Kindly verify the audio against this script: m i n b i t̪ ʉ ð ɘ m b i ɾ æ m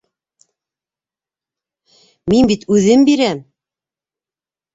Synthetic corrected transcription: m i n b i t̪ ʉ ð ɘ m b i ɾ æ m